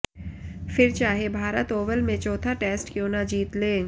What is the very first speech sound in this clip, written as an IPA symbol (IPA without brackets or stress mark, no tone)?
f